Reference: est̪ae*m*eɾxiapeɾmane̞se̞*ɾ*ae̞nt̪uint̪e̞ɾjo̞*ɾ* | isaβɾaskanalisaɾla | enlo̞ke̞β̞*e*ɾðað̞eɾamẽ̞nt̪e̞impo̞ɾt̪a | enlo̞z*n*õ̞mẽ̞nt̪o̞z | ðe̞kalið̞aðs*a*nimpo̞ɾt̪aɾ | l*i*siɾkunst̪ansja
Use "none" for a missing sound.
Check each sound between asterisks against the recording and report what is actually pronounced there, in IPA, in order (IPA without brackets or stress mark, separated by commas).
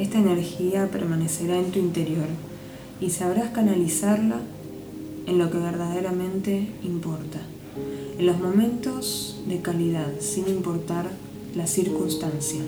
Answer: n, ɾ, ɾ, e, m, i, a